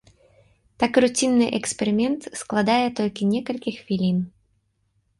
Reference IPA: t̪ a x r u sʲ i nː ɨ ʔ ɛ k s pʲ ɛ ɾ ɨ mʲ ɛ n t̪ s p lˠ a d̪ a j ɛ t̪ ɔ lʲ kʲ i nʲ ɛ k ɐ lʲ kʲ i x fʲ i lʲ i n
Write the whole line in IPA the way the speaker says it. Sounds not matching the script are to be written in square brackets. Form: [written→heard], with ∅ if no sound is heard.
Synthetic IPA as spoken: t̪ a [x→k] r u [sʲ→t͡sʲ] i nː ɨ ʔ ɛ k s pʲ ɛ ɾ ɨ mʲ ɛ n t̪ s [p→k] lˠ a d̪ a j ɛ t̪ ɔ lʲ kʲ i nʲ ɛ k ɐ lʲ kʲ i x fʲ i lʲ i n